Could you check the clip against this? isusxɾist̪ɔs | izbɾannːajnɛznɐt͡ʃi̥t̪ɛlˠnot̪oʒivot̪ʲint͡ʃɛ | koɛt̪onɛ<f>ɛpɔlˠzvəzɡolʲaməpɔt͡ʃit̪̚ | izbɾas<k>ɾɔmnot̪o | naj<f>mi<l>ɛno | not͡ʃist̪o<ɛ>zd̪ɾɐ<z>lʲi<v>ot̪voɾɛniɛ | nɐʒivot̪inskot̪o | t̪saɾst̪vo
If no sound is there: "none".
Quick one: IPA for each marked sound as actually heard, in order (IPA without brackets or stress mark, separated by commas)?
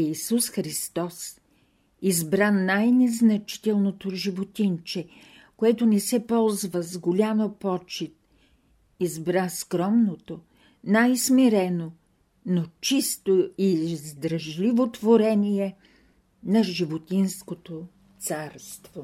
s, k, s, ɾ, i, ʒ, v